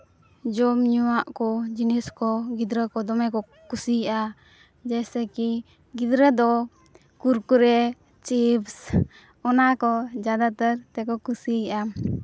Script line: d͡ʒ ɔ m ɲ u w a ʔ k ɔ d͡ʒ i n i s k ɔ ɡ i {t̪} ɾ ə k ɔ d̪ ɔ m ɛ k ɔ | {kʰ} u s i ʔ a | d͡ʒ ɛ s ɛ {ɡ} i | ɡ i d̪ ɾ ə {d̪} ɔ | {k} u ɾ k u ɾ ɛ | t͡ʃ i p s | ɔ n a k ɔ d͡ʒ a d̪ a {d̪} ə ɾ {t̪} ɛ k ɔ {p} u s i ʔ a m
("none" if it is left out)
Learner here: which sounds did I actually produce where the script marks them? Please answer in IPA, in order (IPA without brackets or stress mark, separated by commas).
d̪, k, k, d̪, k, t̪, t̪, k